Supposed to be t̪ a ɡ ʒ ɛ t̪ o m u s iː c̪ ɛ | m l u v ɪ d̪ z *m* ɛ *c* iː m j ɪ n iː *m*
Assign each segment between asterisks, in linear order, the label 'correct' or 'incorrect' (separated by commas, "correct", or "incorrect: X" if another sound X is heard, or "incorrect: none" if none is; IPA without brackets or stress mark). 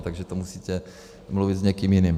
incorrect: ɲ, incorrect: k, correct